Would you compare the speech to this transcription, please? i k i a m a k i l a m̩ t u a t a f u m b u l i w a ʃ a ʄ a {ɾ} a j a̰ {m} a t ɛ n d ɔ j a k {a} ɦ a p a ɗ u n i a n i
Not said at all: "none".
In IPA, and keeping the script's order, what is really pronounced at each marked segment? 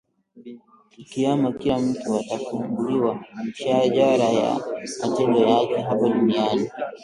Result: ɾ, m, ɛ

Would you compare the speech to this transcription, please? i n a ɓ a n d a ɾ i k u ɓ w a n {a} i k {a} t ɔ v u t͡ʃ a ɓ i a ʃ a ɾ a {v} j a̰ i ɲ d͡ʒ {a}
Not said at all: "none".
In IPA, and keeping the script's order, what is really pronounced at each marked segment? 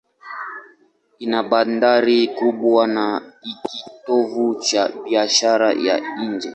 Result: a, i, none, ɛ

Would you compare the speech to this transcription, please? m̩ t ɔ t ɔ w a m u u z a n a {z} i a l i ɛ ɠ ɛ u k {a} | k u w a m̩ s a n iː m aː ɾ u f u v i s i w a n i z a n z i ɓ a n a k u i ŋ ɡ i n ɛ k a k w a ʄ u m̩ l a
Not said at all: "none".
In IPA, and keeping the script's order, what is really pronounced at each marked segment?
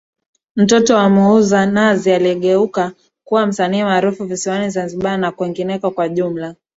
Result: z, a

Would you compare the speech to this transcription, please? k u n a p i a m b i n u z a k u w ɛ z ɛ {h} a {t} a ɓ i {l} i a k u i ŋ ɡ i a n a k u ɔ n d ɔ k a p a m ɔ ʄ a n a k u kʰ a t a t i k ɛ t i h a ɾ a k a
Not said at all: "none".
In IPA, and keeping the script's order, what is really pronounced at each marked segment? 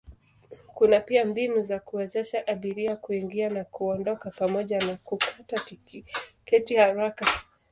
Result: ʃ, ʔ, ɾ

